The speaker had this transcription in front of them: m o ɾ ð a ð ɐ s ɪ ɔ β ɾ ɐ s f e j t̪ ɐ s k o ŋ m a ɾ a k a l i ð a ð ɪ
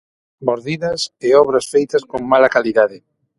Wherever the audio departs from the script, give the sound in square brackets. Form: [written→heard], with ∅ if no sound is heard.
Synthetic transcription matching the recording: m o ɾ ð [a→i] ð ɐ s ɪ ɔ β ɾ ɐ s f e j t̪ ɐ s k o ŋ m a [ɾ→l] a k a l i ð a ð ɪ